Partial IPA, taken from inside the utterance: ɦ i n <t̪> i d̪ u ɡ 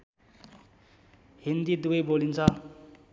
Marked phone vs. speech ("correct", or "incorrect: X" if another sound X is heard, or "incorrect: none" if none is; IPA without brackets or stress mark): incorrect: d̪